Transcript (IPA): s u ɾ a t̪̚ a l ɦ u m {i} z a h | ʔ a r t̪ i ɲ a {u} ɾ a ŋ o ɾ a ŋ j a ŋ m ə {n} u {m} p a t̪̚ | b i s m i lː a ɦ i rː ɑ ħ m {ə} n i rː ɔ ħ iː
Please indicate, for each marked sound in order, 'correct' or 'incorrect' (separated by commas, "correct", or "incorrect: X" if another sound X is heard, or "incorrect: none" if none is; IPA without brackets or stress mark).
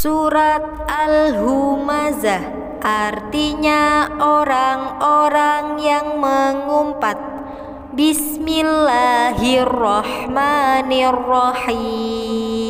incorrect: a, incorrect: o, incorrect: ŋ, correct, incorrect: a